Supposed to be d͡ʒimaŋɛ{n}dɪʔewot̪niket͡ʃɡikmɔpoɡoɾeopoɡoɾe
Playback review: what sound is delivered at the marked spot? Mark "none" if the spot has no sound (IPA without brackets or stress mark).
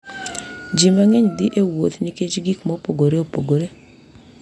ɲ